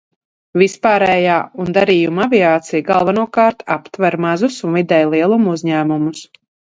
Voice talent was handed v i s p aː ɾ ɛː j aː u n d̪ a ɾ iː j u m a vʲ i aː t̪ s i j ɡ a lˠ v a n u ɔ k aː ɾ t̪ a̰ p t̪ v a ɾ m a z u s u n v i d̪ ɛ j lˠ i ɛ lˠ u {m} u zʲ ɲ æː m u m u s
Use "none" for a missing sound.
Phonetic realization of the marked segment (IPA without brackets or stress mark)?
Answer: m